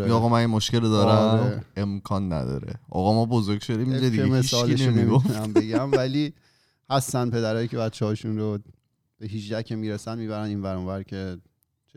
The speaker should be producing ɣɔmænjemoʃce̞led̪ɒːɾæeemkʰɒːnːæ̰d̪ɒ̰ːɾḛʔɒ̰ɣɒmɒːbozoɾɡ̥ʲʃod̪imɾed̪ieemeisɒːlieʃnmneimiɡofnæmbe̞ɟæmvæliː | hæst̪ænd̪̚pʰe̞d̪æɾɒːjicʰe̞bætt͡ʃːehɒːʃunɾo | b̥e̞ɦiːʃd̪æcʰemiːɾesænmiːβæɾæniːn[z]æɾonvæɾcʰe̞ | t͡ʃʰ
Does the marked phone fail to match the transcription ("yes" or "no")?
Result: yes